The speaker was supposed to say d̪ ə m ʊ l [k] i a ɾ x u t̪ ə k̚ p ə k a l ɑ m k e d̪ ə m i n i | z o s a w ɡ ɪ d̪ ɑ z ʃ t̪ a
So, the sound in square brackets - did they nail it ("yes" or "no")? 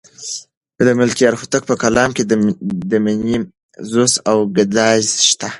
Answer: yes